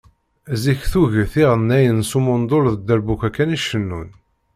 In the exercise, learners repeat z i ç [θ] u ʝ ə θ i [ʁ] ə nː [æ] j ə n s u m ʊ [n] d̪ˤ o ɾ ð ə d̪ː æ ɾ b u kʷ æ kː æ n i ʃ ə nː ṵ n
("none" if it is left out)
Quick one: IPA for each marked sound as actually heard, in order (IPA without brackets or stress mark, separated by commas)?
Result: θ, ʁ, æ, n